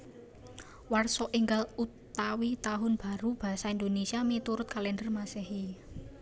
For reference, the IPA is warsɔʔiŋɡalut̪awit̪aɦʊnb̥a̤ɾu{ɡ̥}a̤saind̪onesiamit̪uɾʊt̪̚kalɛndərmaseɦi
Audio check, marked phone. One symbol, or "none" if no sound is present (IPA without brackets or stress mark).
b̥